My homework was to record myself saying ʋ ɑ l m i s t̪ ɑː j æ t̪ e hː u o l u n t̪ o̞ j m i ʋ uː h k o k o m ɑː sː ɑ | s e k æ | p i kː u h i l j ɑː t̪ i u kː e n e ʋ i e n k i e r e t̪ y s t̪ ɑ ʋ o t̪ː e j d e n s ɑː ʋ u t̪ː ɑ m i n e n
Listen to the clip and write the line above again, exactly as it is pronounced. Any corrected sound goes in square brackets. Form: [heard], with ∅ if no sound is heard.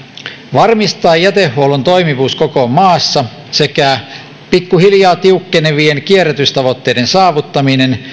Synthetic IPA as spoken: ʋ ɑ [r] m i s t̪ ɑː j æ t̪ e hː u o l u n t̪ o̞ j m i ʋ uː [s] k o k o m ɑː sː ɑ | s e k æ | p i kː u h i l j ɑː t̪ i u kː e n e ʋ i e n k i e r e t̪ y s t̪ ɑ ʋ o t̪ː e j d e n s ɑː ʋ u t̪ː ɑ m i n e n